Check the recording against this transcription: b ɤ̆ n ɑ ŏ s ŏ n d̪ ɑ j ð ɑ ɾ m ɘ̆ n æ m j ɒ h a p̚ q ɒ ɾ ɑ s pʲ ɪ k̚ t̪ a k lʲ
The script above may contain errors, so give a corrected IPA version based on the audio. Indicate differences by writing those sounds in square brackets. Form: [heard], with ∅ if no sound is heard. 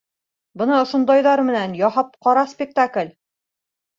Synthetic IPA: b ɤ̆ n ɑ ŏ [ʃ] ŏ n d̪ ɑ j ð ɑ ɾ m ɘ̆ n æ [n] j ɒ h [ɑ] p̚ q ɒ ɾ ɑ s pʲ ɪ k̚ t̪ a k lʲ